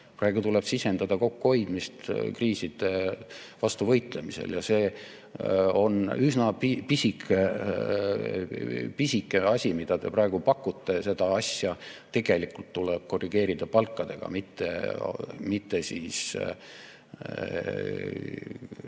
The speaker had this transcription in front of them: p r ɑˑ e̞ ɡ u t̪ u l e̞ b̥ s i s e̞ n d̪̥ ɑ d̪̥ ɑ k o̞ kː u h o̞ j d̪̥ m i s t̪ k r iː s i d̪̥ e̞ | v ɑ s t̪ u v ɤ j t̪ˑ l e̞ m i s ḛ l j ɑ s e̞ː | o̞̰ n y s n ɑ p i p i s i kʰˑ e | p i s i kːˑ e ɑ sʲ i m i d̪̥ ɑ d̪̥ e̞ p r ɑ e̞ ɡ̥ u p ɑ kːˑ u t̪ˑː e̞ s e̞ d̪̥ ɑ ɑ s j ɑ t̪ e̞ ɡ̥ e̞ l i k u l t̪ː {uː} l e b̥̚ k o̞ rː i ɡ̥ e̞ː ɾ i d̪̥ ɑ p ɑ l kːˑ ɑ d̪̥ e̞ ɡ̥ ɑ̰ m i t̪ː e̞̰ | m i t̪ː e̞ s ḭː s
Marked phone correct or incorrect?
incorrect